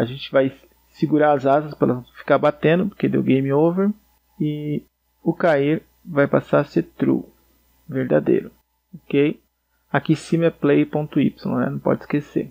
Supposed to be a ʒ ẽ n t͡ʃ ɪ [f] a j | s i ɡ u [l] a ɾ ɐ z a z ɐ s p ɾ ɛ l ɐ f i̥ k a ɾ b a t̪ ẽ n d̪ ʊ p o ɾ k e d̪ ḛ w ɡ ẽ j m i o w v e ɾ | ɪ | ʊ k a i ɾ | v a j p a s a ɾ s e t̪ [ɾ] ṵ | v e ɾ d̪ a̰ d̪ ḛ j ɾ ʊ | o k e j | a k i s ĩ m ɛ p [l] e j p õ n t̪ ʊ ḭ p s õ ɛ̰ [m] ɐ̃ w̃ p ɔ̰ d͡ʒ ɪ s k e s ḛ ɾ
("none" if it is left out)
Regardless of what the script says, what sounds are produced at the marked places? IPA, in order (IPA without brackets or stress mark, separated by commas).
v, ɾ, ɾ, l, n